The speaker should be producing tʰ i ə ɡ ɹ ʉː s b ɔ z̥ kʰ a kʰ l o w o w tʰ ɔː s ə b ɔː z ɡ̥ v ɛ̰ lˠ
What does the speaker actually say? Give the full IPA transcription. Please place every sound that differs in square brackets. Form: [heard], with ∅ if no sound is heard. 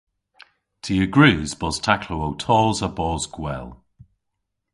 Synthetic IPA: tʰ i ə ɡ ɹ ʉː [z] b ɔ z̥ [tʰ] a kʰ l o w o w tʰ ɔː [z] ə b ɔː z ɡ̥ [w] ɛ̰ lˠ